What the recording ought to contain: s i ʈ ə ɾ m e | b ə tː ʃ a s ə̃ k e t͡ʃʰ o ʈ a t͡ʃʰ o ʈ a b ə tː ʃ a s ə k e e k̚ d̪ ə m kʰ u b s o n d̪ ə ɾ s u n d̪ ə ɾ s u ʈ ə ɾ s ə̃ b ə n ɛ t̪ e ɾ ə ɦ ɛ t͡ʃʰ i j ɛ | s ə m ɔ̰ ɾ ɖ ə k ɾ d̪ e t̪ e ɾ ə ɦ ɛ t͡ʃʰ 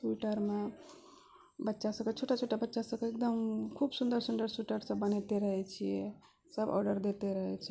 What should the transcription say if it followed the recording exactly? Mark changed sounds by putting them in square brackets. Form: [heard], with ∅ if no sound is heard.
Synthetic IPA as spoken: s i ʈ ə ɾ m e | b ə tː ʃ a s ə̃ k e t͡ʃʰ o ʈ a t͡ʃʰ o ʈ a b ə tː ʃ a s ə k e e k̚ d̪ ə m kʰ u b s [u] n d̪ ə ɾ s u n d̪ ə ɾ s u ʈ ə ɾ s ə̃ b ə n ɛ t̪ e ɾ ə ɦ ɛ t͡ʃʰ i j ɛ | s ə [b] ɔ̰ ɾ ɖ ə [∅] ɾ d̪ e t̪ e ɾ ə ɦ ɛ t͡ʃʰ